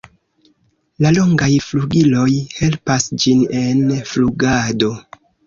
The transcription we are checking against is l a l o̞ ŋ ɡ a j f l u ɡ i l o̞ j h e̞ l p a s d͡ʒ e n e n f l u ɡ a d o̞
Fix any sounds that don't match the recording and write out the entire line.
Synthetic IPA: l a l o̞ ŋ ɡ a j f l u ɡ i l o̞ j h e̞ l p a s d͡ʒ i n e n f l u ɡ a d o̞